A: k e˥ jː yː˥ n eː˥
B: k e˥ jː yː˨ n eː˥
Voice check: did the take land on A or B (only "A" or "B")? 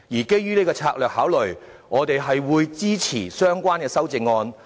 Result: A